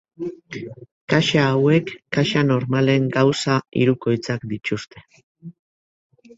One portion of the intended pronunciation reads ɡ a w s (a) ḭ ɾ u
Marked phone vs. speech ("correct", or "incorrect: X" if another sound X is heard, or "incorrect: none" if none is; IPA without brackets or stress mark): correct